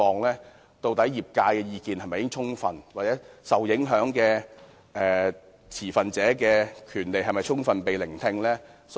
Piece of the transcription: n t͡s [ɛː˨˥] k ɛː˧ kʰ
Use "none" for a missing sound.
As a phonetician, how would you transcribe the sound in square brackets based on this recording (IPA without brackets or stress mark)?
ɛː˨˥